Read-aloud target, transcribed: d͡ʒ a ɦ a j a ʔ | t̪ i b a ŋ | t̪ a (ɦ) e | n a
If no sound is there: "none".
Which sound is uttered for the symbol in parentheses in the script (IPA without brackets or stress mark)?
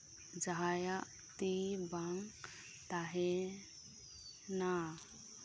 ɦ